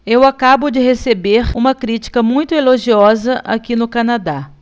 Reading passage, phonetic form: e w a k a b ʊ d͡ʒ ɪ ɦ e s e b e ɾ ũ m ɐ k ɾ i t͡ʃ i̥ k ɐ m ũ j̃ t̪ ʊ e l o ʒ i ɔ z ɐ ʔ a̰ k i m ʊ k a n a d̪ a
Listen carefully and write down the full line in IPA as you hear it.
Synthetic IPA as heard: e w a k a b ʊ d͡ʒ ɪ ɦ e s e b e ɾ ũ m ɐ k ɾ i t͡ʃ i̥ k ɐ m ũ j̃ t̪ ʊ e l o ʒ i ɔ z ɐ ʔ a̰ k i n ʊ k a n a d̪ a